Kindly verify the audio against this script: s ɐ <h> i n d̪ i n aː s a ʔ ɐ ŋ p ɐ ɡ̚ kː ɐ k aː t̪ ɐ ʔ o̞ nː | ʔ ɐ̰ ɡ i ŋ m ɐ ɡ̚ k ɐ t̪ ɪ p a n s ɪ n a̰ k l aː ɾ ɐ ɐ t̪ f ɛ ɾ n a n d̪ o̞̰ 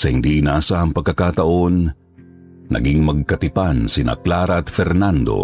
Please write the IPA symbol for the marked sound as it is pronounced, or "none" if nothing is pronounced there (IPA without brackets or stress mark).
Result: h